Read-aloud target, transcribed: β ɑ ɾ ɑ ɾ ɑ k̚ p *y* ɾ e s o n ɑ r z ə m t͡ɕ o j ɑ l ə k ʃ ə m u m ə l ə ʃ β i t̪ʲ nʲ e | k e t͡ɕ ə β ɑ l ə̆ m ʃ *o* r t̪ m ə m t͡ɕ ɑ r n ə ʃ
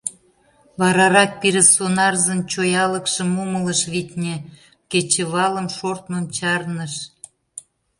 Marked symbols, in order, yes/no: no, yes

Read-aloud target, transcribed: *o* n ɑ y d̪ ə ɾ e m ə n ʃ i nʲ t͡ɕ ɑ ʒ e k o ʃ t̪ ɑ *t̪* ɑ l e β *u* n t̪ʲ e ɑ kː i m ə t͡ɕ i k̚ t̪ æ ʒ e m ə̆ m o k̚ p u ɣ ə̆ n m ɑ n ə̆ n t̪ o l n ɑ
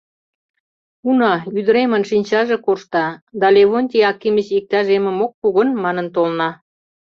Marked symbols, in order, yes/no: no, no, no

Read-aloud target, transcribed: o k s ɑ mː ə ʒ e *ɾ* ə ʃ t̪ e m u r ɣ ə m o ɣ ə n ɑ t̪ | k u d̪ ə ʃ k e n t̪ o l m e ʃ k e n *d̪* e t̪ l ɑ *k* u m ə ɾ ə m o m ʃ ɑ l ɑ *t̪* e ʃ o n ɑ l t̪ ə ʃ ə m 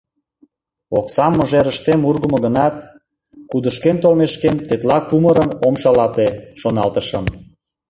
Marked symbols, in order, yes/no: yes, no, yes, yes

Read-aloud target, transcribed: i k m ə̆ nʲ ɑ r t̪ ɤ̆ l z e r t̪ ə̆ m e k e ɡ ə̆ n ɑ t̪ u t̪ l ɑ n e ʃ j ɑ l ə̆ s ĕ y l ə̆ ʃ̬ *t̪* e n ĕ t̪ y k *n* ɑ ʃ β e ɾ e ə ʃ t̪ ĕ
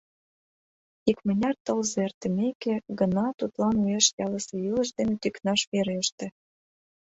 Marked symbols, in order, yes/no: no, yes

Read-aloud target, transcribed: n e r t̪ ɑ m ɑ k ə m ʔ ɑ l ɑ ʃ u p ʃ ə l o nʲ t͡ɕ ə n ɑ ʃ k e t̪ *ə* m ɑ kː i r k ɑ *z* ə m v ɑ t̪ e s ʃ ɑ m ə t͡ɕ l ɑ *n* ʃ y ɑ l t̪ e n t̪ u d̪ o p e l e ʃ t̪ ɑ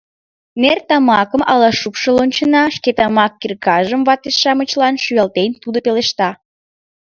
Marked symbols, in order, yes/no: no, no, yes

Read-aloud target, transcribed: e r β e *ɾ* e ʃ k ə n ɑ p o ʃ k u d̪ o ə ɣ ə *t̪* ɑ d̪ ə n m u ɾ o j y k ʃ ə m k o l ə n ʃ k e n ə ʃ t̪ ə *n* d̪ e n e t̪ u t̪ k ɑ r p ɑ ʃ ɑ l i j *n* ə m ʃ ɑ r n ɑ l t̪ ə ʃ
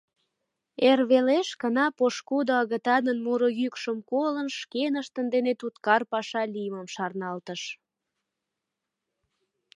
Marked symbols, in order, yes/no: no, yes, yes, no

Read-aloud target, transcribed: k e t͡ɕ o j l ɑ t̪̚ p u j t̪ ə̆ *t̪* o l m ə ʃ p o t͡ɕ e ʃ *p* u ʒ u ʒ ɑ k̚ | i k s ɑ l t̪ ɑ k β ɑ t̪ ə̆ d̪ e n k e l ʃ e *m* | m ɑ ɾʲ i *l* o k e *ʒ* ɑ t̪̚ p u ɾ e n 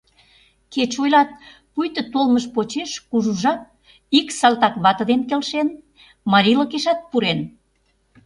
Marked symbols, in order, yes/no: yes, no, no, yes, no

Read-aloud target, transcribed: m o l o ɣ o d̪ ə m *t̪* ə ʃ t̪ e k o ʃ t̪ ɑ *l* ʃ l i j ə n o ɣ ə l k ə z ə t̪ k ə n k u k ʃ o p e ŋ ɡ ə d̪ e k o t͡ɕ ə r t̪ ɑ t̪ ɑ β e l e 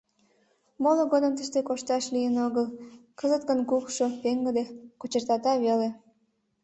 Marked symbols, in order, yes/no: yes, no

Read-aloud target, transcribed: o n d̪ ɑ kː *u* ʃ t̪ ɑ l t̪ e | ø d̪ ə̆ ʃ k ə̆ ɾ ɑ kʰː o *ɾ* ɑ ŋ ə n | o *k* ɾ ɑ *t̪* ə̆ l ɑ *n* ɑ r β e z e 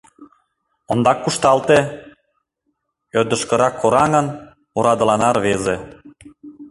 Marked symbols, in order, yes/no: yes, yes, no, no, yes

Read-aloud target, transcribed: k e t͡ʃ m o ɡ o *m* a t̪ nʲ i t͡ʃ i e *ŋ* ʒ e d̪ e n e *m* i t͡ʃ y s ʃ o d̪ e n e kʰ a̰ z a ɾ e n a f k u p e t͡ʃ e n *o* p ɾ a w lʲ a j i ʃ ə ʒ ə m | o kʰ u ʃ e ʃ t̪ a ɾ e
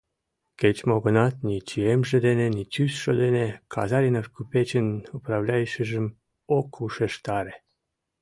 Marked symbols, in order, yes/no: no, no, no, no

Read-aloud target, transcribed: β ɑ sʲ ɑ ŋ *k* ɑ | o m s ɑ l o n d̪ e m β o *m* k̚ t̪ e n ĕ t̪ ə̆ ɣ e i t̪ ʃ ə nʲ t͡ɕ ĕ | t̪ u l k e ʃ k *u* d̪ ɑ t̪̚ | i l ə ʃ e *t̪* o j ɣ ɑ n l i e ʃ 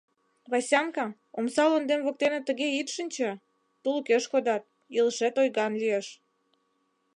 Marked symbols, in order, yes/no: yes, no, no, yes

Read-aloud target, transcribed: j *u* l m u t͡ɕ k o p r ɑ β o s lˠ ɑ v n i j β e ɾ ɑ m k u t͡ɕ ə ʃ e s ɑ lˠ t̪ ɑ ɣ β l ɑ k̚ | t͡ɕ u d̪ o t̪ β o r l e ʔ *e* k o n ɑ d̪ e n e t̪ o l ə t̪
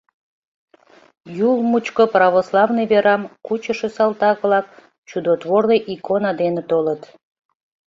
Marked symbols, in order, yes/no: yes, no

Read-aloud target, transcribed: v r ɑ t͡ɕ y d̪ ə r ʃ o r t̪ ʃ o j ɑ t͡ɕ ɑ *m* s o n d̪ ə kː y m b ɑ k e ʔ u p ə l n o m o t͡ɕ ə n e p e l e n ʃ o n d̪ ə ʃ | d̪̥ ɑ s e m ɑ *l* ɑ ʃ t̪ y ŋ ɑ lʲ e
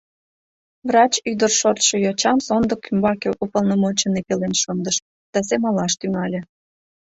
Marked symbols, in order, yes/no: yes, yes

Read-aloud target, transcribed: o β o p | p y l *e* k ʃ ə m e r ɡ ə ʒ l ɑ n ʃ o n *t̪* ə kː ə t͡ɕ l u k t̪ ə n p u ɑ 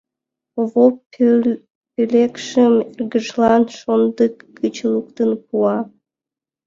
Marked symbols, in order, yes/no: yes, no

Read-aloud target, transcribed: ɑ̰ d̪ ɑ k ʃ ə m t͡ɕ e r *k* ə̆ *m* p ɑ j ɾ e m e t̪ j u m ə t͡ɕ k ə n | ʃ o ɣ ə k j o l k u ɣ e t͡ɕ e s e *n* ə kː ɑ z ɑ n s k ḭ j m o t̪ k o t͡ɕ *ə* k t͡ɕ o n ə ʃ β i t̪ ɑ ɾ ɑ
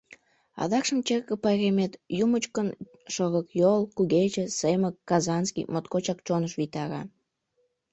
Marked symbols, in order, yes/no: yes, no, no, no

